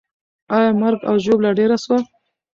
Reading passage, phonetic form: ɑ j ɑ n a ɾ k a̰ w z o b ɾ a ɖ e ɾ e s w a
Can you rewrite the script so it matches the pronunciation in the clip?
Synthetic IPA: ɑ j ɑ m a ɾ ɡ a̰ w ʒ o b l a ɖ e ɾ a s w a